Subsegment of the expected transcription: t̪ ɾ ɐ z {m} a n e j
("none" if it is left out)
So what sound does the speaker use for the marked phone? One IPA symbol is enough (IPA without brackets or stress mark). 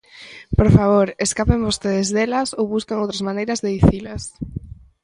m